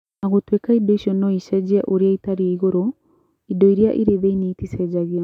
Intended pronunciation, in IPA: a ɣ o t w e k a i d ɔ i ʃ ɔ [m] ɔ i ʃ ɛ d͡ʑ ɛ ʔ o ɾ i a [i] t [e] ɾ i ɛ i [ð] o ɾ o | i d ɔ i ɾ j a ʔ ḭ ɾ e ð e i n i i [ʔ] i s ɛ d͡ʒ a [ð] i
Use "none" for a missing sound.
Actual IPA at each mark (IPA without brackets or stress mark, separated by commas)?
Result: n, i, a, ɣ, t, ɣ